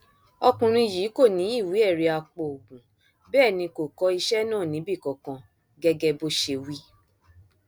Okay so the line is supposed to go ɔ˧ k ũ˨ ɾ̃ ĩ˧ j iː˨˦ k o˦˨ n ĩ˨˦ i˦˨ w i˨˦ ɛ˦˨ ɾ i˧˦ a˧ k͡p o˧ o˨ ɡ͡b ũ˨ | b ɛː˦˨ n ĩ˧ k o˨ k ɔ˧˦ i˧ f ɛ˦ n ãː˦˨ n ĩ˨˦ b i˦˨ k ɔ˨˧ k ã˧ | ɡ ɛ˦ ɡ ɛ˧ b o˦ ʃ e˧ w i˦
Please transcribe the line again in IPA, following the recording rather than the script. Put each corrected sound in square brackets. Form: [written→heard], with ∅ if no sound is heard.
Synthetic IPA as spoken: ɔ˧ k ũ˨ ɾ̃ ĩ˧ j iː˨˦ k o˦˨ n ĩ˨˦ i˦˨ w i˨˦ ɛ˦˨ ɾ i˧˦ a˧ k͡p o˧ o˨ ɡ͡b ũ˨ | b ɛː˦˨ n ĩ˧ k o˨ k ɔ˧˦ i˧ [f→ʃ] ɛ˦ n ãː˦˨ n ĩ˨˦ b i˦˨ k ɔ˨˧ k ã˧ | ɡ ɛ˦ ɡ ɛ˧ b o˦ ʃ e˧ w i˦